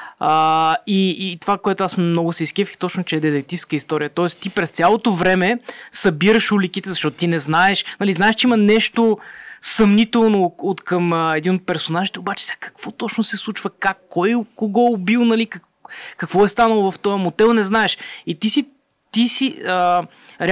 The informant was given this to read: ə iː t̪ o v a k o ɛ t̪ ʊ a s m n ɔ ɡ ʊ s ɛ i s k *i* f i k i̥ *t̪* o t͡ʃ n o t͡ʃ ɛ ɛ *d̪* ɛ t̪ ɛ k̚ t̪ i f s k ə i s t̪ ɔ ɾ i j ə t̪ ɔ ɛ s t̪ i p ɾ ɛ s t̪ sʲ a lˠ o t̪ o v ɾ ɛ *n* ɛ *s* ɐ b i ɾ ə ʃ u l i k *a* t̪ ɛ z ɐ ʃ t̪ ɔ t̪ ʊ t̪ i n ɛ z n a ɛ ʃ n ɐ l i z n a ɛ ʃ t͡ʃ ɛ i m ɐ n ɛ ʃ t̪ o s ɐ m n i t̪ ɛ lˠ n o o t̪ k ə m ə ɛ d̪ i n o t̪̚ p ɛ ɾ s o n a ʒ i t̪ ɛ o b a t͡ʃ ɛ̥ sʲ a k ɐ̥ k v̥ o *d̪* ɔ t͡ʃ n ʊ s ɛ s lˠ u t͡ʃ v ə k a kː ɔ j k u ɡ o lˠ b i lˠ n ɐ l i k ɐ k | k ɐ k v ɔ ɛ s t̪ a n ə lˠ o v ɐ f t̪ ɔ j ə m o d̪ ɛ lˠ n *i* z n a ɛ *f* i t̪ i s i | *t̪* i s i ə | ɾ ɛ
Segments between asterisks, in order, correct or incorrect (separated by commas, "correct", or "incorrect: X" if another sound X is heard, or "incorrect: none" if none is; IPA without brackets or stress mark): incorrect: ɛ, correct, correct, incorrect: m, correct, incorrect: i, incorrect: t̪, incorrect: ɛ, incorrect: ʃ, correct